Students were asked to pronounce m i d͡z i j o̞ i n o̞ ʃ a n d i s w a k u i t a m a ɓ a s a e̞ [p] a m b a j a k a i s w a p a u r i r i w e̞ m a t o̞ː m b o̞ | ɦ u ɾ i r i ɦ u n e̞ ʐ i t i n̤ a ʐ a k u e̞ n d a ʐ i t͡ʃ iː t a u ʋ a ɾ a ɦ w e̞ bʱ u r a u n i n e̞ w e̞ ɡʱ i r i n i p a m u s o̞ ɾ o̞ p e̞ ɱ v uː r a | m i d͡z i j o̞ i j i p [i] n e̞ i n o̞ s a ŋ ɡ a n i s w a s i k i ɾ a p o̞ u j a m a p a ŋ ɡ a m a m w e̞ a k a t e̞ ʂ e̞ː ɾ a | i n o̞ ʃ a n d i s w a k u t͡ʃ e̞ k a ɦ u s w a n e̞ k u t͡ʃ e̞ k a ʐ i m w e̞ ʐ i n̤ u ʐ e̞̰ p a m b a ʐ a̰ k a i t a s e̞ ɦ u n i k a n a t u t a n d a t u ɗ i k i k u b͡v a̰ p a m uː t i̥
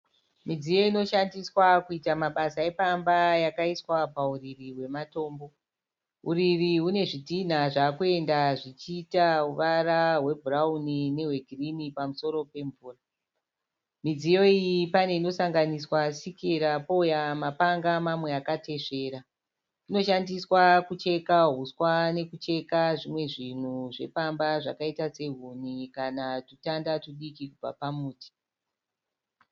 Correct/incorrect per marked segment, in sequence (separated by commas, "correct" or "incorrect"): correct, incorrect